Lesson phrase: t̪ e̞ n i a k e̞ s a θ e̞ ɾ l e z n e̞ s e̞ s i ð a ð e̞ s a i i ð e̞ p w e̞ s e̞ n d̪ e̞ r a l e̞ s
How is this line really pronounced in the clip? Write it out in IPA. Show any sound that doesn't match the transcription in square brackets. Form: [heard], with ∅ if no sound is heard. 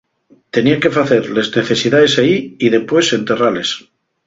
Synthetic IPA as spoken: t̪ e̞ n i a k e̞ [f] a θ e̞ ɾ l e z n e̞ [θ] e̞ s i ð a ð e̞ s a i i ð e̞ p w e̞ s e̞ n [t̪] e̞ r a l e̞ s